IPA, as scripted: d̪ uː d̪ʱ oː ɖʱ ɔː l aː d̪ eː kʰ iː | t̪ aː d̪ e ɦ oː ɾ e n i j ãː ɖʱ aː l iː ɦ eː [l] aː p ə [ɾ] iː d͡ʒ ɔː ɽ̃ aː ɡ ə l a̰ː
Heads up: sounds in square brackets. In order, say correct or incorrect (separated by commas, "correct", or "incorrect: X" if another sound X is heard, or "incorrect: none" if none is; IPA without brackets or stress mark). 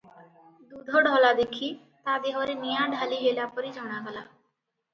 correct, correct